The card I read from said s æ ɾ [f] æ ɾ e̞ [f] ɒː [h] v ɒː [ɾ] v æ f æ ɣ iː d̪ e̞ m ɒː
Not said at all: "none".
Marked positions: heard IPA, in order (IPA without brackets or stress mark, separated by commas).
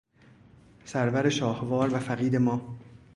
v, ʃ, h, ɾ